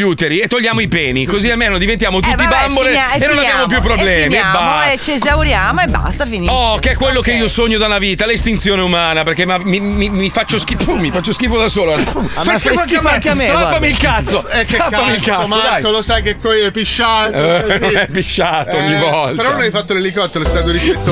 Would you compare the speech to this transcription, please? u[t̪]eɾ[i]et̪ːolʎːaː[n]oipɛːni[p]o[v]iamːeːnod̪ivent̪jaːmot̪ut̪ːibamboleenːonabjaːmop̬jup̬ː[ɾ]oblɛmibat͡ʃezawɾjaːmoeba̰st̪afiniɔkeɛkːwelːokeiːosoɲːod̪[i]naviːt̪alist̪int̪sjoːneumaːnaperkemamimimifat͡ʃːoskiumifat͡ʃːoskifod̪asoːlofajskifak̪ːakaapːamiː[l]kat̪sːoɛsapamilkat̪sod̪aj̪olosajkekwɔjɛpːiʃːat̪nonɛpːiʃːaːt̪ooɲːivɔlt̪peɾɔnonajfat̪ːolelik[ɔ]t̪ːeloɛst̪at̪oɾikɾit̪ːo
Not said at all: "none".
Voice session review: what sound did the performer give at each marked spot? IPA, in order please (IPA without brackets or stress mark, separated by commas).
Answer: t̪, i, m, k, z, ɾ, a, l, ɔ